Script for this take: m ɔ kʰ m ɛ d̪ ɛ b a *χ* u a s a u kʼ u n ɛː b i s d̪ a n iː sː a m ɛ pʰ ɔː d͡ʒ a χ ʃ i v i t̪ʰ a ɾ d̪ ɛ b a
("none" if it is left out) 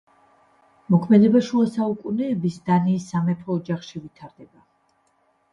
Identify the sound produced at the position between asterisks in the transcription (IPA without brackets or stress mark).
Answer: ʃ